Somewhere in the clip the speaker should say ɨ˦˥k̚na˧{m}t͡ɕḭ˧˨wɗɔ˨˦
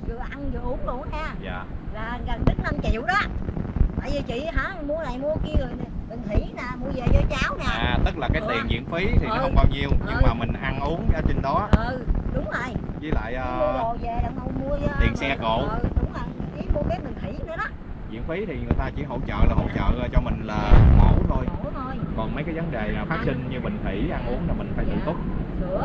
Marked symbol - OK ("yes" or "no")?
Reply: yes